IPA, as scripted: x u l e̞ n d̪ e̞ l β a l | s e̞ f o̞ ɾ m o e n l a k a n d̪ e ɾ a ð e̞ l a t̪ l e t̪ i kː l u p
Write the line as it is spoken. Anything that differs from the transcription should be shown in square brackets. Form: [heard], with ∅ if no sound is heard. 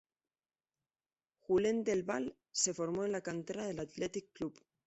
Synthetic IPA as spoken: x u l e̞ n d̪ e̞ l β a l | s e̞ f o̞ ɾ m o e n l a k a n [t̪] e ɾ a ð e̞ l a t̪ l e t̪ i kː l u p

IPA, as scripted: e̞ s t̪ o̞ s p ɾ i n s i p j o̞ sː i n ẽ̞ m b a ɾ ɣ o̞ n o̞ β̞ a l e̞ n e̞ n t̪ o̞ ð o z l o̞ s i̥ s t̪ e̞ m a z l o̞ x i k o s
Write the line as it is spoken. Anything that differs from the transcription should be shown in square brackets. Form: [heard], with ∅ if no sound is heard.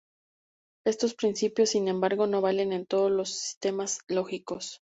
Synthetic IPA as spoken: e̞ s t̪ o̞ s p ɾ i n s i p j o̞ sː i n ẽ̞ m b a ɾ ɣ o̞ n o̞ β̞ a l e̞ n e̞ n t̪ o̞ ð o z l o̞ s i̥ s t̪ e̞ m a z l o̞ x i k o s

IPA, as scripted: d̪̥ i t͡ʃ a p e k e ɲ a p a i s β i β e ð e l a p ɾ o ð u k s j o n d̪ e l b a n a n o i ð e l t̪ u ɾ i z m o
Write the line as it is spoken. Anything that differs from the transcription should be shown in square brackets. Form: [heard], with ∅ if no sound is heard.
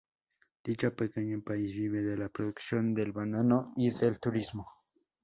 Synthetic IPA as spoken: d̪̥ i t͡ʃ a p e k e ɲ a p a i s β i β e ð e l a p ɾ o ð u k s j o n d̪ e l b a n a n o i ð e l t̪ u ɾ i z m o

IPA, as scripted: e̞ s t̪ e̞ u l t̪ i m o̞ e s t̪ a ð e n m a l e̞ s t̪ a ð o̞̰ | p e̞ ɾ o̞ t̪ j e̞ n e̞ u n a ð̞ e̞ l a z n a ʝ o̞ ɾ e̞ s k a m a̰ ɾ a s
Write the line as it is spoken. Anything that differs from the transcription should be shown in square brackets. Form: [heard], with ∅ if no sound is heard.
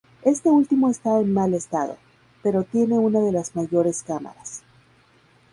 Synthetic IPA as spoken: e̞ s t̪ e̞ u l t̪ i m o̞ e s t̪ a [∅] e n m a l e̞ s t̪ a ð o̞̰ | p e̞ ɾ o̞ t̪ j e̞ n e̞ u n a ð̞ e̞ l a z [m] a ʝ o̞ ɾ e̞ s k a m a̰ ɾ a s

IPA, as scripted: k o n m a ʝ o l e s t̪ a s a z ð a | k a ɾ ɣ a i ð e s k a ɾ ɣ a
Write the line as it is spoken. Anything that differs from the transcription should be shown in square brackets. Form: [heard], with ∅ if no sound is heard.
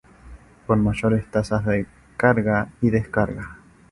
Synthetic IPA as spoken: k o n m a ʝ o [ɾ] e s t̪ a s a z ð [e] | k a ɾ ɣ a i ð e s k a ɾ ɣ a

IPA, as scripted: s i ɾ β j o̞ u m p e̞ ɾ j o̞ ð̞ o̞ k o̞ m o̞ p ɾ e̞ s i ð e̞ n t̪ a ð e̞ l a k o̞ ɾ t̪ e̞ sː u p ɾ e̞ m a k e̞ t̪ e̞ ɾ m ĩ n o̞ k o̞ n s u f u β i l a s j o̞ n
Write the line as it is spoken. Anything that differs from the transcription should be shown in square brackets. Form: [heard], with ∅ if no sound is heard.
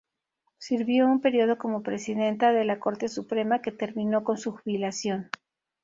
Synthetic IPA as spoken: s i ɾ β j o̞ u m p e̞ ɾ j o̞ ð̞ o̞ k o̞ m o̞ p ɾ e̞ s i ð e̞ n t̪ a ð e̞ l a k o̞ ɾ t̪ e̞ [s] u p ɾ e̞ m a k e̞ t̪ e̞ ɾ m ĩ n o̞ k o̞ n s u [x] u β i l a s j o̞ n

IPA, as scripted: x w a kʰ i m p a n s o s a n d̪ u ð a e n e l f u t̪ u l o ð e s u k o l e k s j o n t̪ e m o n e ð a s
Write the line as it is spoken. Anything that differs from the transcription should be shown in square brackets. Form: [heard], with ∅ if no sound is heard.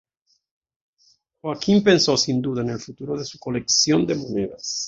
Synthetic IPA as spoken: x w a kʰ i m p [e] n s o s [i] n d̪ u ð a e n e l f u t̪ u [ɾ] o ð e s u k o l e k s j o n [d̪] e m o n e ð a s

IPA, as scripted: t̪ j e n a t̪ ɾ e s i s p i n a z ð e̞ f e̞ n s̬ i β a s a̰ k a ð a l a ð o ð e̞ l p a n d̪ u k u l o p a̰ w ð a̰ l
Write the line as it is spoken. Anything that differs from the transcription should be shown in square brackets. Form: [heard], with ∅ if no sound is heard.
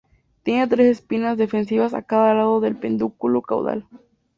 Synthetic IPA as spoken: t̪ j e n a t̪ ɾ e s [e] s p i n a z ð e̞ f e̞ n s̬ i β a s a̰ k a ð a l a ð o ð e̞ l p [e] n d̪ u k u l o [k] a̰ w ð a̰ l

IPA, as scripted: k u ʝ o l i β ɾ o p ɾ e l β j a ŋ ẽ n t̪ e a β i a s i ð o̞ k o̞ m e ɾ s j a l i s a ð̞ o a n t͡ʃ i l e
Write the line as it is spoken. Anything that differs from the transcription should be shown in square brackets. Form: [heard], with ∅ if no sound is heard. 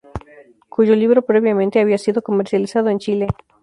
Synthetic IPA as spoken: k u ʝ o l i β ɾ o p ɾ e [∅] β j a [m] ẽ n t̪ e a β i a s i ð o̞ k o̞ m e ɾ s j a l i s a ð̞ o [e] n t͡ʃ i l e

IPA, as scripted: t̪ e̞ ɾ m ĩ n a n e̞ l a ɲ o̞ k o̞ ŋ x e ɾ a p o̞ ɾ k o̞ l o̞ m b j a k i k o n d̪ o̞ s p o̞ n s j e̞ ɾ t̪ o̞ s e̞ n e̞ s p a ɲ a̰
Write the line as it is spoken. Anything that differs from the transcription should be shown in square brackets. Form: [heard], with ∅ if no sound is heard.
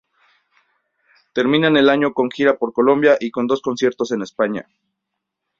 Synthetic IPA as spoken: t̪ e̞ ɾ m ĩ n a n e̞ l a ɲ o̞ k o̞ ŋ x [i] ɾ a p o̞ ɾ k o̞ l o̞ m b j a [ʔ] i k o n d̪ o̞ s [k] o̞ n s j e̞ ɾ t̪ o̞ s e̞ n e̞ s p a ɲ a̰

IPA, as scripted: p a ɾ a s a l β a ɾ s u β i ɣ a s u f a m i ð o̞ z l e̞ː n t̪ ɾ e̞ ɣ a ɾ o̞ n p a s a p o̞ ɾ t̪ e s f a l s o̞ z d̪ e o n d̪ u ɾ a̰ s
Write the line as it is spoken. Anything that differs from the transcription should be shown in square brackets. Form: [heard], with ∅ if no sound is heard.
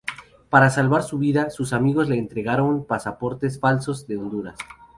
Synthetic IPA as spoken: p a ɾ a s a l β a ɾ s u β i [ð] a s u [s] a m i [ɣ] o̞ z l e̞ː n t̪ ɾ e̞ ɣ a ɾ o̞ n p a s a p o̞ ɾ t̪ e s f a l s o̞ z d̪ e o n d̪ u ɾ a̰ s

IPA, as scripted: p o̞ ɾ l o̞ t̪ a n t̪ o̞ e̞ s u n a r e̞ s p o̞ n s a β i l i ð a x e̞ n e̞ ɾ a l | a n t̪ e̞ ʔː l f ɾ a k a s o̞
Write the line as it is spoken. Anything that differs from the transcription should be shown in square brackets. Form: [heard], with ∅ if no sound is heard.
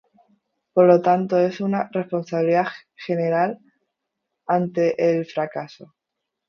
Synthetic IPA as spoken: p o̞ ɾ l o̞ t̪ a n t̪ o̞ e̞ s u n a r e̞ s p o̞ n s a β i l i ð a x e̞ n e̞ ɾ a l | a n t̪ e̞ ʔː l f ɾ a k a s o̞

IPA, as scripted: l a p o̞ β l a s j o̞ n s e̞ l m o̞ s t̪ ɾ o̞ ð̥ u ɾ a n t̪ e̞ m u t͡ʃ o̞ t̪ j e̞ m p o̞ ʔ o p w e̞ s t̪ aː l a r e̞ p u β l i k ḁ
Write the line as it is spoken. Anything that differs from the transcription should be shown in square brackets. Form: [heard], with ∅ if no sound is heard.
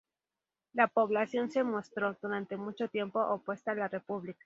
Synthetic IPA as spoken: l a p o̞ β l a s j o̞ n s e̞ [∅] m o̞ s t̪ ɾ o̞ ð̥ u ɾ a n t̪ e̞ m u t͡ʃ o̞ t̪ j e̞ m p o̞ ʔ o p w e̞ s t̪ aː l a r e̞ p u β l i k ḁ

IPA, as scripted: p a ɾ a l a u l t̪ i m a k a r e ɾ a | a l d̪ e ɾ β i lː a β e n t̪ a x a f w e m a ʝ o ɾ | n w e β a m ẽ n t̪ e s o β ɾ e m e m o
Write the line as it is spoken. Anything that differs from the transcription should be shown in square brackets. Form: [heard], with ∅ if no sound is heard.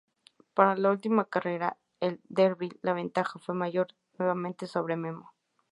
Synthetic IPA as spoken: p a ɾ a l a u l t̪ i m a k a r e ɾ a | [e] l d̪ e ɾ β i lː a β e n t̪ a x a f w e m a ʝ o ɾ | n w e β a m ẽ n t̪ e s o β ɾ e m e m o

